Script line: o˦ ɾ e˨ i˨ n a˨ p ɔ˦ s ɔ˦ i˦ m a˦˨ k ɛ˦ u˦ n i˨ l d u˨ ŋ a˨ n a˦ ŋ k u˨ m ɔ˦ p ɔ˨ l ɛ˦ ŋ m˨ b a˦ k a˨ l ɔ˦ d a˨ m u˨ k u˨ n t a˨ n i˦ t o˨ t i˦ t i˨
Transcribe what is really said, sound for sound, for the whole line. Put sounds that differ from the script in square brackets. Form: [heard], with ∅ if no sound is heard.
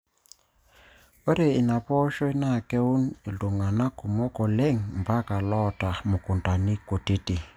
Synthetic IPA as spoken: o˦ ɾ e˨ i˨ n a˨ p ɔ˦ [ʃ] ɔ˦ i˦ [n] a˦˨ k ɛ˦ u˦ n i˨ l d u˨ ŋ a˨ n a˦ [∅] k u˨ m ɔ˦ [k] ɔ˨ l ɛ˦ ŋ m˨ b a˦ k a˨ l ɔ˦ [t] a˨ m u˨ k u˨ n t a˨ n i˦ [k] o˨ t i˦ t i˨